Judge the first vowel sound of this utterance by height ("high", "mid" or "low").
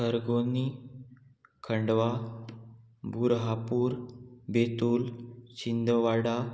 mid